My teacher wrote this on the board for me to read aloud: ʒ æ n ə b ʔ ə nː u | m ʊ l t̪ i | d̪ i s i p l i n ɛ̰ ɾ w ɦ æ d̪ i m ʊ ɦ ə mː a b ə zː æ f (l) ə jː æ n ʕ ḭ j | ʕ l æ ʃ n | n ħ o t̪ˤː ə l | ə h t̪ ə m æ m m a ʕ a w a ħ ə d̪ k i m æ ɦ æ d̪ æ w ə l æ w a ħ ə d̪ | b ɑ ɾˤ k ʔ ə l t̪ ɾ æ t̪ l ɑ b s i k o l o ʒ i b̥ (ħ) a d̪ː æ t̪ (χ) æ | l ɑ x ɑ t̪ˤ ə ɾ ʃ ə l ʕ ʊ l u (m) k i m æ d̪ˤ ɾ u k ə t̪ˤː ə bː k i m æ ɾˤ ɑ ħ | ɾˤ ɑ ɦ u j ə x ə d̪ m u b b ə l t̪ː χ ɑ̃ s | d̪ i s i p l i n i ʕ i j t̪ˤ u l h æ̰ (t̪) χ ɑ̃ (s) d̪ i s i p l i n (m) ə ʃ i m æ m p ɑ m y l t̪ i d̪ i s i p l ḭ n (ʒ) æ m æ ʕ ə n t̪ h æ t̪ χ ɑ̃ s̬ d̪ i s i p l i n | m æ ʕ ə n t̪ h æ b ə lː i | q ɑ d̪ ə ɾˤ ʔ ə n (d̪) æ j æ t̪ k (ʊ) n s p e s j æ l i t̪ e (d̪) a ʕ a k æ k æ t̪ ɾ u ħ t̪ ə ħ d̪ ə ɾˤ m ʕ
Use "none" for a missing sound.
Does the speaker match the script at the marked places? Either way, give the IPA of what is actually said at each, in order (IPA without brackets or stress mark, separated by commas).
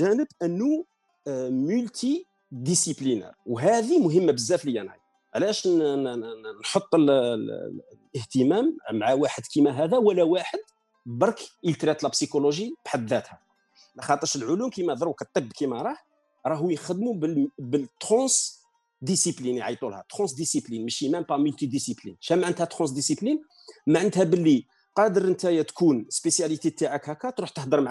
l, ħ, h, m, t̪, s, m, ʃ, t̪, u, t̪